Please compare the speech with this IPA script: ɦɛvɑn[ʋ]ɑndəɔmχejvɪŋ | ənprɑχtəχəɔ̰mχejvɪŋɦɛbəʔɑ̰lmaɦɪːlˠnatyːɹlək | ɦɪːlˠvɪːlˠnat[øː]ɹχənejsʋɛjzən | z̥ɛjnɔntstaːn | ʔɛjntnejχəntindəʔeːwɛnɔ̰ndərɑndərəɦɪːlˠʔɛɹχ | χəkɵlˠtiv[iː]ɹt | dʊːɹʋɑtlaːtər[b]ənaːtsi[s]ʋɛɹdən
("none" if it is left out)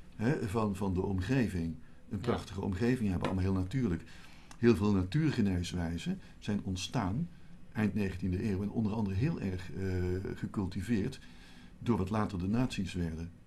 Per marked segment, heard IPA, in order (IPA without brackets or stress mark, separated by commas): v, yː, ɪː, d, s